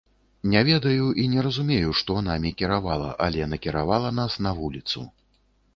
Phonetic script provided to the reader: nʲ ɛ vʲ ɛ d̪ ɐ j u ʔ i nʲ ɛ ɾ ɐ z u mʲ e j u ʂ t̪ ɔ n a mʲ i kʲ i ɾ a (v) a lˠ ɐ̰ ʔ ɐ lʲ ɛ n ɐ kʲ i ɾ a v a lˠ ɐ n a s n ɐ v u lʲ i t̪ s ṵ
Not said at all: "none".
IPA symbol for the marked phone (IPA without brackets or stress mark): v